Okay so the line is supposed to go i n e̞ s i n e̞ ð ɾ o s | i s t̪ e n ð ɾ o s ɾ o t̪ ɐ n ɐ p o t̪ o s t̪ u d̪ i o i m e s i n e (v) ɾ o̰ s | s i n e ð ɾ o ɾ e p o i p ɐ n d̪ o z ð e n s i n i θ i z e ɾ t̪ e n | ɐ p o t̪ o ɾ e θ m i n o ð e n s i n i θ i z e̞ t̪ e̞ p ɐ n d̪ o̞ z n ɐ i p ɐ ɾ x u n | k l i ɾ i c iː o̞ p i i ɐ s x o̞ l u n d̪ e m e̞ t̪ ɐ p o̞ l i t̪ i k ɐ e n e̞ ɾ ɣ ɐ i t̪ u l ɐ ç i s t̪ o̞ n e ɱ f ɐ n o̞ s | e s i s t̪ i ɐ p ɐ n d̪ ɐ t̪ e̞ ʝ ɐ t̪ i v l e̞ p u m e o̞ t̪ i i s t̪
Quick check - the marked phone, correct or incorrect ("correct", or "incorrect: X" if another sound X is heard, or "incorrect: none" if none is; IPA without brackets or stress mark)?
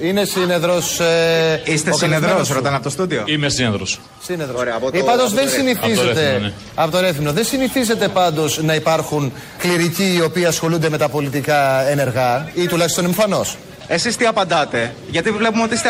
incorrect: ð